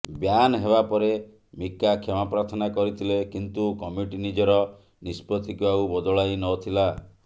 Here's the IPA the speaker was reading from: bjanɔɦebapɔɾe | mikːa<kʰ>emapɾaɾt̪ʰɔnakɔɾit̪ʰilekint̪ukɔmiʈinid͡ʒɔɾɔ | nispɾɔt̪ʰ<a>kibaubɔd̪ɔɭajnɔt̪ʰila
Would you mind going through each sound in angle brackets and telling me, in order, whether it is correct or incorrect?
correct, incorrect: i

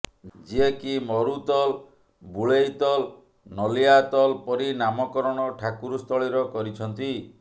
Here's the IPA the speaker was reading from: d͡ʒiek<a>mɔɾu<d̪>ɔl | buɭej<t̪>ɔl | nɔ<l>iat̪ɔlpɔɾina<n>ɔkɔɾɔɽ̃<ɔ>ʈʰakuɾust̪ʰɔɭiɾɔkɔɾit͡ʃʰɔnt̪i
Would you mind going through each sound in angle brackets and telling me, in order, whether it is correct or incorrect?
incorrect: i, incorrect: t̪, correct, correct, incorrect: m, correct

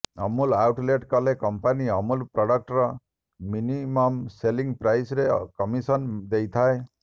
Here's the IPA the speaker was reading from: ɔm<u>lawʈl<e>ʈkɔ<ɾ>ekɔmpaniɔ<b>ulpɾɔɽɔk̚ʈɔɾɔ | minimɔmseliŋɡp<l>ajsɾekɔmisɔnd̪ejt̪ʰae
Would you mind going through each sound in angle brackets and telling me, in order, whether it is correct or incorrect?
correct, correct, incorrect: l, incorrect: m, incorrect: ɾ

